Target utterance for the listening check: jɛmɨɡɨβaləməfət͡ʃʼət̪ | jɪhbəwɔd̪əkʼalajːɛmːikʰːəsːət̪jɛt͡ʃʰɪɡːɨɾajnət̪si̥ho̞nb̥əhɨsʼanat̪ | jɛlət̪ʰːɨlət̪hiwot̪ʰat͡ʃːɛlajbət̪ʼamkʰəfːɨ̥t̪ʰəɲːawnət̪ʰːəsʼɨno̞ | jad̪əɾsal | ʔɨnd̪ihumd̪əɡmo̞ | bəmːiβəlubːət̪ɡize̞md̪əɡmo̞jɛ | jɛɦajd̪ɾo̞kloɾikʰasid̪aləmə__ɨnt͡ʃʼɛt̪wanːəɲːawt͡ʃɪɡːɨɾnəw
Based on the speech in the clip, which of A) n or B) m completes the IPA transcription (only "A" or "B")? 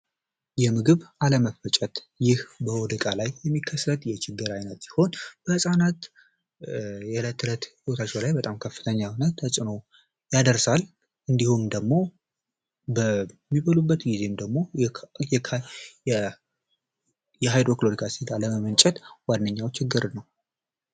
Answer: B